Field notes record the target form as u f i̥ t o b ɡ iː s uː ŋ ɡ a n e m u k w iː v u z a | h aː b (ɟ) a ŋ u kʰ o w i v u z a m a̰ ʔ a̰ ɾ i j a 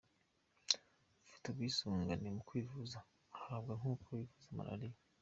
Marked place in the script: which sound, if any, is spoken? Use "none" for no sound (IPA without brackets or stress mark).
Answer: ɡ